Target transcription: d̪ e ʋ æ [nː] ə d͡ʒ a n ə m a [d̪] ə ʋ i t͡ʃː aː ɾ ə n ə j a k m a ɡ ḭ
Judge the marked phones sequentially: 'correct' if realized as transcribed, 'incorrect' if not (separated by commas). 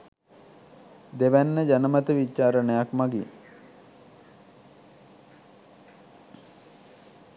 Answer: correct, incorrect